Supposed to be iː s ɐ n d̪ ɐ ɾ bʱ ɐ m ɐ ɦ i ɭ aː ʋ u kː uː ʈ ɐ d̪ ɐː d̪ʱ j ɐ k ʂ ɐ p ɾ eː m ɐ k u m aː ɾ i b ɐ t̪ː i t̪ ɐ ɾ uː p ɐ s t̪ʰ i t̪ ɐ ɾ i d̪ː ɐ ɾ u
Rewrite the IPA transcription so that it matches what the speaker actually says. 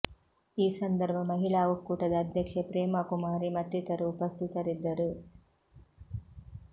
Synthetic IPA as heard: iː s ɐ n d̪ ɐ ɾ bʱ ɐ m ɐ ɦ i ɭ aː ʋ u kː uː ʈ ɐ d̪ ɐː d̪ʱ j ɐ k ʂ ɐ p ɾ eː m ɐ k u m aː ɾ i m ɐ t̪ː i t̪ ɐ ɾ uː p ɐ s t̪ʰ i t̪ ɐ ɾ i d̪ː ɐ ɾ u